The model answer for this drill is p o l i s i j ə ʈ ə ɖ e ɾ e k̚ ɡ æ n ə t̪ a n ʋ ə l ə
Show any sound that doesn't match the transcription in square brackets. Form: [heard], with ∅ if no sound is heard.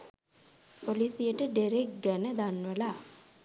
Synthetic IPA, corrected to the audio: p o l i s i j ə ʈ ə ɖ e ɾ e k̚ ɡ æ n ə [d̪] a n ʋ ə l [a]